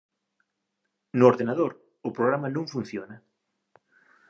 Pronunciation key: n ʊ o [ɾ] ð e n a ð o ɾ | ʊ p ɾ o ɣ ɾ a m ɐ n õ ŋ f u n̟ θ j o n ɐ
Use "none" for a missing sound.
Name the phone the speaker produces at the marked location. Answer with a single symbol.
ɾ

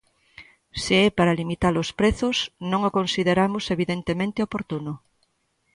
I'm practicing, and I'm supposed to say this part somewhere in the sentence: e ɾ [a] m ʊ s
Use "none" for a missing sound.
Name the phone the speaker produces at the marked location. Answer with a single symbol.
a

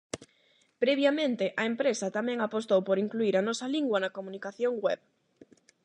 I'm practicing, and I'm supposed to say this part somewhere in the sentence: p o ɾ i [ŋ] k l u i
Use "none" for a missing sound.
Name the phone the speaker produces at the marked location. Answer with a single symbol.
ŋ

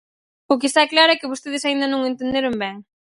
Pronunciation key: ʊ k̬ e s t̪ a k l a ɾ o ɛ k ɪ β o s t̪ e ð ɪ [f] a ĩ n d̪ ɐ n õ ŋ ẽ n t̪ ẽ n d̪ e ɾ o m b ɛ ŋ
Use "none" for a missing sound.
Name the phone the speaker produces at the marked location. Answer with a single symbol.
s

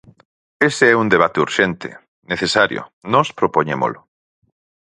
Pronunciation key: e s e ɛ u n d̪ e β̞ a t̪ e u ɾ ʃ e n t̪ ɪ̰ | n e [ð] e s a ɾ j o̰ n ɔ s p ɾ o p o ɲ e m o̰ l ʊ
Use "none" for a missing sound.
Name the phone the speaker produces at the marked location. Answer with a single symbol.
θ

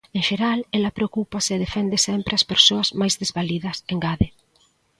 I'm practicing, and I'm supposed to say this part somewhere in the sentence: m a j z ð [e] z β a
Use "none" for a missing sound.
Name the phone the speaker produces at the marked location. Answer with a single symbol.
e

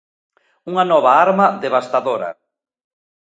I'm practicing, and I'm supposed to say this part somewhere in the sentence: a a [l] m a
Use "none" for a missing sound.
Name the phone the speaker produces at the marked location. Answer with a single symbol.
ɾ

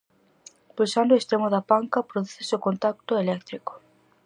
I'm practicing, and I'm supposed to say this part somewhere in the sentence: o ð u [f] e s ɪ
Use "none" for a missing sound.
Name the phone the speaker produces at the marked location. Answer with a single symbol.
θ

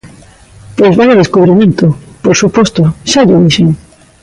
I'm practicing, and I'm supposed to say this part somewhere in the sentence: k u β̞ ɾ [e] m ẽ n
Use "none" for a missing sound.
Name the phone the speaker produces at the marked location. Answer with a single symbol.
i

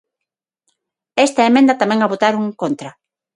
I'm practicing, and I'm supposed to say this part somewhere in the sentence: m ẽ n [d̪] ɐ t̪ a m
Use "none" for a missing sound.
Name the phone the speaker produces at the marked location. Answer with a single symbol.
d̪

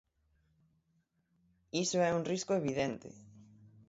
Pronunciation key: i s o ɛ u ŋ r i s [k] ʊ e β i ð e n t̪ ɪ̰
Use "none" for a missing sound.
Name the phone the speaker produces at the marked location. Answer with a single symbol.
k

